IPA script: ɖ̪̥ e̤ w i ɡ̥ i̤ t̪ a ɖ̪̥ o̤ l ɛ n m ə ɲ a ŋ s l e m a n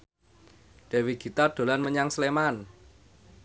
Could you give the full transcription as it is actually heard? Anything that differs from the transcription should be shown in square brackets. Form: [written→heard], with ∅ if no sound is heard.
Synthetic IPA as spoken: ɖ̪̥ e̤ w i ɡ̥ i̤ t̪ a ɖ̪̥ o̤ l [ɛ→a] n m ə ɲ a ŋ s l e m a n